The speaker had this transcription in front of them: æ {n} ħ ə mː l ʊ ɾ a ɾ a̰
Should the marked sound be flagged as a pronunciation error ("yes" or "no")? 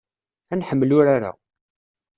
no